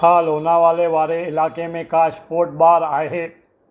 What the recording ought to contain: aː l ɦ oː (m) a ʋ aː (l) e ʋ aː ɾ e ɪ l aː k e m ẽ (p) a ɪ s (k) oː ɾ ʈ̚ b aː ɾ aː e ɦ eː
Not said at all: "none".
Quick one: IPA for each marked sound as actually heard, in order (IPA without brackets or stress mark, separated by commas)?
n, l, k, p